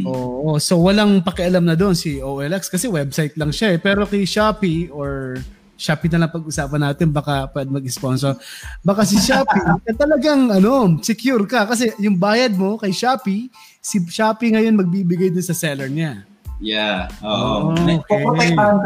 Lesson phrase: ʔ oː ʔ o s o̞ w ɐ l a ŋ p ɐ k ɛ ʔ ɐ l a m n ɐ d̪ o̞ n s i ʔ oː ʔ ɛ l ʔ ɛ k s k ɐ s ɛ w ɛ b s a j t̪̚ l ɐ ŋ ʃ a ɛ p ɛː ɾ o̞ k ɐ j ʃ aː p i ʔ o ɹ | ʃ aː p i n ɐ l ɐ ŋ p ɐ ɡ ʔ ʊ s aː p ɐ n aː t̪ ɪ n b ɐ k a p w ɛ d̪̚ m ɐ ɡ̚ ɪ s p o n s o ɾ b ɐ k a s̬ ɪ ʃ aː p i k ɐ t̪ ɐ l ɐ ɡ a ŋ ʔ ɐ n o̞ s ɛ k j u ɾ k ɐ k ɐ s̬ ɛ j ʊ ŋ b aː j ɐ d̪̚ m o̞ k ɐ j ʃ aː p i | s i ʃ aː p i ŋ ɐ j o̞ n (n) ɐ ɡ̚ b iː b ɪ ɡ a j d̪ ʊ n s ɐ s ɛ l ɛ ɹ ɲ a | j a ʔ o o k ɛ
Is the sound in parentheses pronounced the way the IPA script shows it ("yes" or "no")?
no